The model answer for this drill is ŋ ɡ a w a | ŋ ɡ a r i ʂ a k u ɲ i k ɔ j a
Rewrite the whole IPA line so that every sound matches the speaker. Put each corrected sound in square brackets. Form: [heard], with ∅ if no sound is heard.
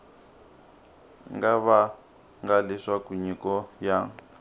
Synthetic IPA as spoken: ŋ ɡ a [β] a | ŋ ɡ a [l] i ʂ a k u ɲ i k ɔ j a